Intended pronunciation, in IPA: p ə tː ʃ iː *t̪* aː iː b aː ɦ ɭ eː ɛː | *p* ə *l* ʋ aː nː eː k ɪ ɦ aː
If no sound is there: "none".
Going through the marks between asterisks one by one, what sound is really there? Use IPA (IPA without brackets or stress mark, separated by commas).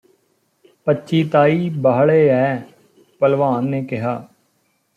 t̪, p, l